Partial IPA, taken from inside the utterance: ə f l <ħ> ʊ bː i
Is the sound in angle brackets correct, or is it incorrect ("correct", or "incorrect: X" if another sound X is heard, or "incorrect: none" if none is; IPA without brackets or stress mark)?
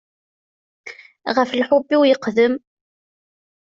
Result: correct